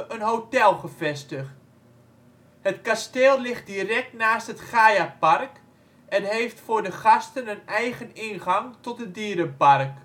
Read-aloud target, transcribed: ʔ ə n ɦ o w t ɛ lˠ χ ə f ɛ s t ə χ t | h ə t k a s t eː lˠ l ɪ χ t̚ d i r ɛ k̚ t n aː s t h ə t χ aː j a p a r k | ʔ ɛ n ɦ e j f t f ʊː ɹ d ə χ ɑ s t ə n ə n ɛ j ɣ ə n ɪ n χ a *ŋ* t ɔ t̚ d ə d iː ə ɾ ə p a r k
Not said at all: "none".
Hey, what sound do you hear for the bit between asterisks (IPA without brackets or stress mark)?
ŋ